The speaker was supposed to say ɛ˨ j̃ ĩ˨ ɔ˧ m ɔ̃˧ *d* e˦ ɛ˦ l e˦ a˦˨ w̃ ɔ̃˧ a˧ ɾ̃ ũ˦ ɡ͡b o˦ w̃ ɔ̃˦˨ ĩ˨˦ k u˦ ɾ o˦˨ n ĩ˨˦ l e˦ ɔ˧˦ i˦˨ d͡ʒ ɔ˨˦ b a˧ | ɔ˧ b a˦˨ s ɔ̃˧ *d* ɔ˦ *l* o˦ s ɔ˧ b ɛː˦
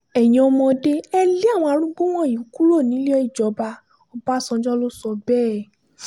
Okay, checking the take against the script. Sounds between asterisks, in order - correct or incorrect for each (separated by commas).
correct, incorrect, correct